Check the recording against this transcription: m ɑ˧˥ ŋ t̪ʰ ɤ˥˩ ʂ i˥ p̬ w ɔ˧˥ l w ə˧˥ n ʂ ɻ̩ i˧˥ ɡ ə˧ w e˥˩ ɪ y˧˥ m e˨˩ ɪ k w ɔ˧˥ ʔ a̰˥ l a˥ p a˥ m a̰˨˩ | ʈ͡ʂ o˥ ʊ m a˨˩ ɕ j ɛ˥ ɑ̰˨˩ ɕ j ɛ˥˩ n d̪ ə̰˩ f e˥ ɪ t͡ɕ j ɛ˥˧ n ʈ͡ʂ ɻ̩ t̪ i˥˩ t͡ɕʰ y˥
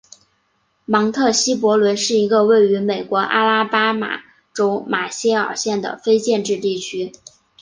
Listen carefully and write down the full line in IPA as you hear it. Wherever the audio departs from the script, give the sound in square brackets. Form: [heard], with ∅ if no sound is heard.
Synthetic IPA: m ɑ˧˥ ŋ t̪ʰ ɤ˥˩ [ɕ] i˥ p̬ w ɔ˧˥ l w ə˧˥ n ʂ ɻ̩ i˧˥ ɡ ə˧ w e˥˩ ɪ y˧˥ m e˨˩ ɪ k w ɔ˧˥ ʔ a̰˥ l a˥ p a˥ m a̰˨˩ | ʈ͡ʂ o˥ ʊ m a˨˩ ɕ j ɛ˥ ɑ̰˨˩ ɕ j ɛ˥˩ n d̪ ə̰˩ f e˥ ɪ t͡ɕ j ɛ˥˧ n ʈ͡ʂ ɻ̩ t̪ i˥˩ t͡ɕʰ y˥